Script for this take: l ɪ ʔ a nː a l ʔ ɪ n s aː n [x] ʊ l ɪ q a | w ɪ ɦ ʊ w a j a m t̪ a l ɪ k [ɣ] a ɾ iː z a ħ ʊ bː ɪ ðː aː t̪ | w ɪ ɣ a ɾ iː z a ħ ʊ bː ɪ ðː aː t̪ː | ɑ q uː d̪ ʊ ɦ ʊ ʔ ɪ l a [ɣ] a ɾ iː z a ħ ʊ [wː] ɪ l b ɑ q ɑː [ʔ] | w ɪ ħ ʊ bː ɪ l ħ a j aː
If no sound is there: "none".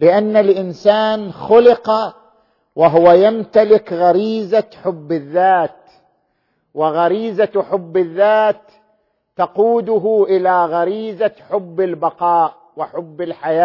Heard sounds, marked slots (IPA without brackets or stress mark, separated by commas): x, ɣ, ɣ, bː, ʔ